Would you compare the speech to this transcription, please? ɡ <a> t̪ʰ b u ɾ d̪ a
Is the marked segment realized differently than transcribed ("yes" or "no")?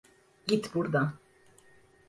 yes